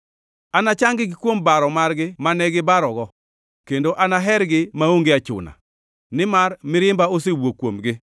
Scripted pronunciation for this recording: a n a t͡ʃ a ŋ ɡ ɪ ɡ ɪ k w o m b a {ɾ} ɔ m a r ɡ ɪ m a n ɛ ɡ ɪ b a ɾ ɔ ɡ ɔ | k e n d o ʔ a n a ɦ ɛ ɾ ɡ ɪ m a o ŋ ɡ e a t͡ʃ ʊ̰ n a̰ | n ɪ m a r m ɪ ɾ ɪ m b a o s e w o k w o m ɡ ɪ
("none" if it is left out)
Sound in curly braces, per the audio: ɾ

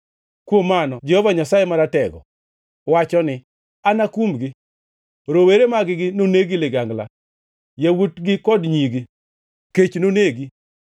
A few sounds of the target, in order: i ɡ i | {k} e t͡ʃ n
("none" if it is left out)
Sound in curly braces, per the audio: k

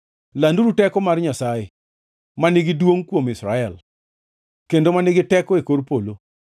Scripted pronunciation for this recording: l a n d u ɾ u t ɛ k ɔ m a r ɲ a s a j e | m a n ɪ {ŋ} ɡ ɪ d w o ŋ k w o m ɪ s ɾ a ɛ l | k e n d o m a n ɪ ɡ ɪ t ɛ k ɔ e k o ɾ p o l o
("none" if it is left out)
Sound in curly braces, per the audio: none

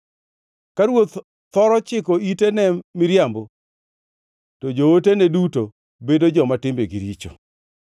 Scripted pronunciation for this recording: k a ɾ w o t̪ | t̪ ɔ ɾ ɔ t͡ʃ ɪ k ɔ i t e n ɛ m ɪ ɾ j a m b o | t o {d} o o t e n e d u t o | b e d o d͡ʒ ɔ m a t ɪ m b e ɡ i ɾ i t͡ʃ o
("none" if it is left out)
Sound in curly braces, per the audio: d͡ʒ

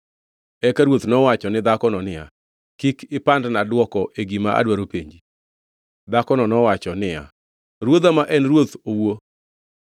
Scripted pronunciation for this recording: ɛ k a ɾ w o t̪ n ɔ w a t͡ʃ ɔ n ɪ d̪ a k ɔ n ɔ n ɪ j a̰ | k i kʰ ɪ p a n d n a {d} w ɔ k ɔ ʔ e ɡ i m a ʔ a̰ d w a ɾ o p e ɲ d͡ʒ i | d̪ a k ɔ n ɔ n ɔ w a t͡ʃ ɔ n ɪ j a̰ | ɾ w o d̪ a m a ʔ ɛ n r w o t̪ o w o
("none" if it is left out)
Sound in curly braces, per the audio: d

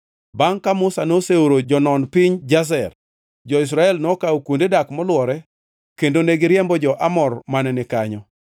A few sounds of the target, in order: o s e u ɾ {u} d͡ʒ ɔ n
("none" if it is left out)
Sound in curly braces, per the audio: o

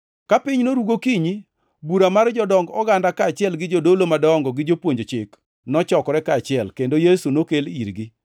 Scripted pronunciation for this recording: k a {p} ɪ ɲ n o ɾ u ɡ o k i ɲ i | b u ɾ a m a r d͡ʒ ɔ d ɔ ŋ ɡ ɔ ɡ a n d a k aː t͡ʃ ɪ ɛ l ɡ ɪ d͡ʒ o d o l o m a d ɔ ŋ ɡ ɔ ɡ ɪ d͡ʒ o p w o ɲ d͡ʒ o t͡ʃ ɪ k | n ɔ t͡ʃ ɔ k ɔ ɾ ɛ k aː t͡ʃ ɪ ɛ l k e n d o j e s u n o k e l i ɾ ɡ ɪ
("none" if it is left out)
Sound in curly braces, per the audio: p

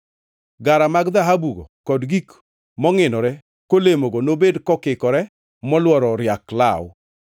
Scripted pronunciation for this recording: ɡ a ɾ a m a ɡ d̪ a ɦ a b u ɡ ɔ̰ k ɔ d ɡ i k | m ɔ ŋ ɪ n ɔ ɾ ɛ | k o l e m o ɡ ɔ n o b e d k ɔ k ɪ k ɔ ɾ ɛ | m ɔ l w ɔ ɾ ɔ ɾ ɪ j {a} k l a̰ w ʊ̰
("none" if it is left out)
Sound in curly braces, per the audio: a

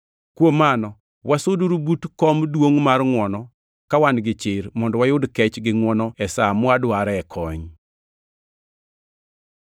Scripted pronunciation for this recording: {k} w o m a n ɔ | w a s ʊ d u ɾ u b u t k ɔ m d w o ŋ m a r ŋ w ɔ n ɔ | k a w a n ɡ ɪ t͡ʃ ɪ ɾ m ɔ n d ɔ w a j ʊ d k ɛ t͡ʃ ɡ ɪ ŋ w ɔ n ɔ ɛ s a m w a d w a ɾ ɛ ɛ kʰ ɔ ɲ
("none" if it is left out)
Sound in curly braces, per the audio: k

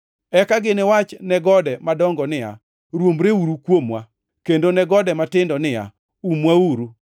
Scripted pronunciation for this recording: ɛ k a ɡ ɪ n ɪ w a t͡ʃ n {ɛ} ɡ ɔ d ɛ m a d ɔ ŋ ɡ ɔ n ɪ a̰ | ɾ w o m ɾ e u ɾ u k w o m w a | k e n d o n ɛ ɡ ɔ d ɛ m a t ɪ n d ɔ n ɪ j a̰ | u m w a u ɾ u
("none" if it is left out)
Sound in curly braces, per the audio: ɛ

